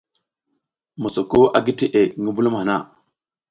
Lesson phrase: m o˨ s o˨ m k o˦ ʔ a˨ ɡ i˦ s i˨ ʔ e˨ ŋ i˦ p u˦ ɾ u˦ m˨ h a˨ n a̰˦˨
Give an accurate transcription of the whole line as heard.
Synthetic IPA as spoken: m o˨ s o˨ k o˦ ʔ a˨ ɡ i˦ t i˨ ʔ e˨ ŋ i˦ b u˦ l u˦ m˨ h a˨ n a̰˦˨